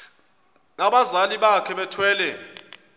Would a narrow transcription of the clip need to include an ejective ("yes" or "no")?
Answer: no